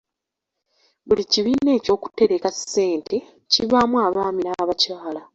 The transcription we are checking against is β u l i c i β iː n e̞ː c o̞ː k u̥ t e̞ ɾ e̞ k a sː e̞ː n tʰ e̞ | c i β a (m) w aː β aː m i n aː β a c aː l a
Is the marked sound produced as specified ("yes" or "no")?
yes